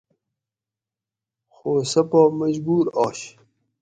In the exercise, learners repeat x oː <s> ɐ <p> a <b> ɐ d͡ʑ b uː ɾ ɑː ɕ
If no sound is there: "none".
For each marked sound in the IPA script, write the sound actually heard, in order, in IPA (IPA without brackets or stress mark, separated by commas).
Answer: s, p, m